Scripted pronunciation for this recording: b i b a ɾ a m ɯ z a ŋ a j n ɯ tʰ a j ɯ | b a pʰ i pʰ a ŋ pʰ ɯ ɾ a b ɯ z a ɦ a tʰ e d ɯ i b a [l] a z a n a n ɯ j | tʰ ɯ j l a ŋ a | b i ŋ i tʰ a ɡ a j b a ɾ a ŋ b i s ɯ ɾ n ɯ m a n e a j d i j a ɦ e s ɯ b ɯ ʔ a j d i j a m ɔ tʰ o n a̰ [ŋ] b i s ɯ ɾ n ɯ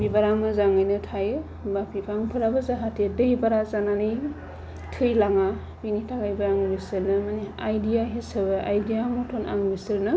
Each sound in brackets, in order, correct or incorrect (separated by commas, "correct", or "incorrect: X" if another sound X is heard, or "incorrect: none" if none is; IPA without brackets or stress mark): incorrect: ɾ, correct